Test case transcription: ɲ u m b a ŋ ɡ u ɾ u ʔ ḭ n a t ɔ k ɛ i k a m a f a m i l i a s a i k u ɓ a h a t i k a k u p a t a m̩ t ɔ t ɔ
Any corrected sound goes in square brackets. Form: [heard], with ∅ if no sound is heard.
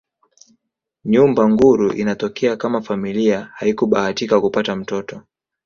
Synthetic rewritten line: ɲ u m b a ŋ ɡ u ɾ u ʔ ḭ n a t ɔ k ɛ [a] k a m a f a m i l i a [h] a i k u ɓ a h a t i k a k u p a t a m̩ t ɔ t ɔ